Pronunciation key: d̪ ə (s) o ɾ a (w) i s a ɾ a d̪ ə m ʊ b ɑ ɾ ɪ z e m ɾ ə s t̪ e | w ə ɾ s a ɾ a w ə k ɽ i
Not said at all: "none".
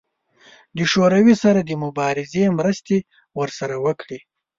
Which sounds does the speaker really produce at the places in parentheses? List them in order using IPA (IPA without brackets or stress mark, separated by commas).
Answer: ʃ, w